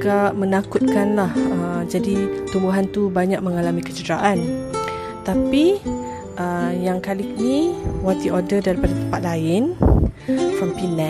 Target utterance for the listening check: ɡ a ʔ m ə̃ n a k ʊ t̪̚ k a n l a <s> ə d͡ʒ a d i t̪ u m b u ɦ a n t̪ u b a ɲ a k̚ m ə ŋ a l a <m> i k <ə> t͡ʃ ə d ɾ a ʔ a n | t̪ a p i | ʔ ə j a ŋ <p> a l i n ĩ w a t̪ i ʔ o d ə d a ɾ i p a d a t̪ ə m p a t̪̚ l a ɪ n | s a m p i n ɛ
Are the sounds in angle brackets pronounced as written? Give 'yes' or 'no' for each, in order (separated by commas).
no, yes, yes, no